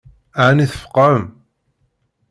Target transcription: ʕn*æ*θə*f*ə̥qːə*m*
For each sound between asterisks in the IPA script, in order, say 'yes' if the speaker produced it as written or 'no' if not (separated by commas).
no, yes, yes